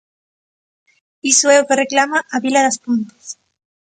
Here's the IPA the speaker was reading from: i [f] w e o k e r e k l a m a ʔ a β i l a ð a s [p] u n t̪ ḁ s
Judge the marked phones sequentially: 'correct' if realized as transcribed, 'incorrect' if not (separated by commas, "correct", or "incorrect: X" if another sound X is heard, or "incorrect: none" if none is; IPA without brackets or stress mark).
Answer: incorrect: s, correct